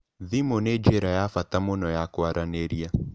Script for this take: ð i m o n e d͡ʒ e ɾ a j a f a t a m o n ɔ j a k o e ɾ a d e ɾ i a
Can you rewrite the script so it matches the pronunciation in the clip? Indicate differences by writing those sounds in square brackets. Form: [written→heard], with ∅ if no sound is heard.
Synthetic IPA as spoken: ð i m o n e d͡ʒ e ɾ a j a f a t a m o n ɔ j a k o [e→a] ɾ a [d→n] e ɾ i a